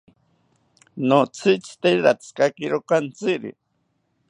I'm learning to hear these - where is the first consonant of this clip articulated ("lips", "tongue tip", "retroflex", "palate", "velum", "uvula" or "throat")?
tongue tip